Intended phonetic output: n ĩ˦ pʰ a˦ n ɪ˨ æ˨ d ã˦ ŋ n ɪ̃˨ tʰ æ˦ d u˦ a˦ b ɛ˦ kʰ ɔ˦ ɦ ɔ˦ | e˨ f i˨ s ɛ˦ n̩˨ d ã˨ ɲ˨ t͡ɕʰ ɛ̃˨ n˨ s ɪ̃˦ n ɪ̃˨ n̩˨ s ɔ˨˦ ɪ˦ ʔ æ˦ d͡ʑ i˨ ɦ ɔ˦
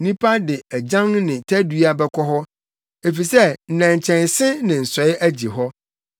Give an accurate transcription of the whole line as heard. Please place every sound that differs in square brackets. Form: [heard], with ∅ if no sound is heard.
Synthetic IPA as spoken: n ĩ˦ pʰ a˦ [d] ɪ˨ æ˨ [d͡ʑ] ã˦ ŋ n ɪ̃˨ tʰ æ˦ d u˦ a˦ b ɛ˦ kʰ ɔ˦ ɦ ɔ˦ | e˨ f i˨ s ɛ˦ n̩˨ [n] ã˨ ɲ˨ t͡ɕʰ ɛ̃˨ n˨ s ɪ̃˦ n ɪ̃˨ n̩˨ s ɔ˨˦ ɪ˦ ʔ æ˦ d͡ʑ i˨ ɦ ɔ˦